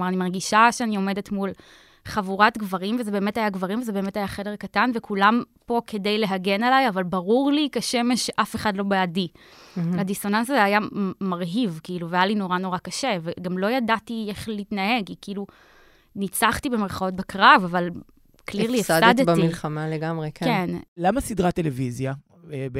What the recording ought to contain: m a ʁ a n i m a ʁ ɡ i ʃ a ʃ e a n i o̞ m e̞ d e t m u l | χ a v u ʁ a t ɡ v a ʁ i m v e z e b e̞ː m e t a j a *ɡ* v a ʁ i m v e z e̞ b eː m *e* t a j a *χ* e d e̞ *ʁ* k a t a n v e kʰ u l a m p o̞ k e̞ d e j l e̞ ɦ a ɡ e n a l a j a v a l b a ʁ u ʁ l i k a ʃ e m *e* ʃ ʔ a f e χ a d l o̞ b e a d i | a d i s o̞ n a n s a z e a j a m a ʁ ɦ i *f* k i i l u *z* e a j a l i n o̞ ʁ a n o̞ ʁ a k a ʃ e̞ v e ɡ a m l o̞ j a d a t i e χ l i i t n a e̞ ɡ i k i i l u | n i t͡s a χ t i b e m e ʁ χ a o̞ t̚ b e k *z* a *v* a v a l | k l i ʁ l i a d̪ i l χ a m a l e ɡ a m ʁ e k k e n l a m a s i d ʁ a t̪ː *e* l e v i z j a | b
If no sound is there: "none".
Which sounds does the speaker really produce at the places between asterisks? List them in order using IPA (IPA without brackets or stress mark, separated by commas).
ɡ, e, χ, ʁ, e, v, v, ʁ, v, e